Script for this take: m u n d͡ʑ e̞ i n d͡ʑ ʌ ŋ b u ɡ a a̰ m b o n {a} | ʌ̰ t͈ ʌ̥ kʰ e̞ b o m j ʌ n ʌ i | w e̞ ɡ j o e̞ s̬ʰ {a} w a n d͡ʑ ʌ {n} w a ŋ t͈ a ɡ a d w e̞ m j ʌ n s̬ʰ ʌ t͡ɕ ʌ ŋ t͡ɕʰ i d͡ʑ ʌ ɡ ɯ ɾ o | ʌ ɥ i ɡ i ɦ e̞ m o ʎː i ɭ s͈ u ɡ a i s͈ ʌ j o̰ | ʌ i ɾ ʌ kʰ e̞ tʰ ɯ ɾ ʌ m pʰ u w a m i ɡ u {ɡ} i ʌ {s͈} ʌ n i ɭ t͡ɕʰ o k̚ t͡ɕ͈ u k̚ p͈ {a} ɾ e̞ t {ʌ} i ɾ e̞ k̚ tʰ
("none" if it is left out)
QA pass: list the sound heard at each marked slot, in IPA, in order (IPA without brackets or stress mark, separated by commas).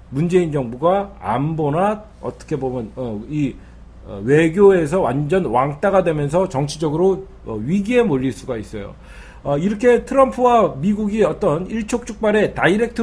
a, ʌ, n, ɡ, t͈, a, a